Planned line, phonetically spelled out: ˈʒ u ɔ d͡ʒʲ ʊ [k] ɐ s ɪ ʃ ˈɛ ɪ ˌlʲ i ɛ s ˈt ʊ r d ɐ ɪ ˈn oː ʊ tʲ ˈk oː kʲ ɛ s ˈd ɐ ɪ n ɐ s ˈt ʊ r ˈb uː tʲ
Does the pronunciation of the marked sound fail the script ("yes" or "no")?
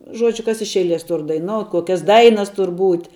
no